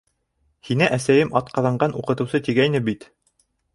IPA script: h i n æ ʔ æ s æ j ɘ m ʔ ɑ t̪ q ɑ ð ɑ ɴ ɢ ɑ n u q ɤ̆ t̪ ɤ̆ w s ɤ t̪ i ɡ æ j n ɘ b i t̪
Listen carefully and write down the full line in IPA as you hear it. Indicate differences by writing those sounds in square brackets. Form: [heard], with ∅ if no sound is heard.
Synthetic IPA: h i n æ ʔ æ s æ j ɘ m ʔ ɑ t̪ q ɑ ð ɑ ɴ ɢ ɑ n u q ɤ̆ t̪ ɤ̆ w s ɤ t̪ i ɡ æ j n ɘ b i t̪